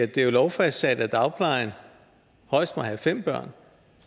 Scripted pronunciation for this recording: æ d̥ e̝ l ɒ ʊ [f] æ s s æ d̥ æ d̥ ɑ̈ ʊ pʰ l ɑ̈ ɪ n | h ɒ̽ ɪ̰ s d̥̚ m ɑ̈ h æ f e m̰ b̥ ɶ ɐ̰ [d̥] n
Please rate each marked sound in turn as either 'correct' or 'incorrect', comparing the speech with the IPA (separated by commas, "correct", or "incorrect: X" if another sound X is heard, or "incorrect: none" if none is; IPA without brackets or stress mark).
correct, incorrect: none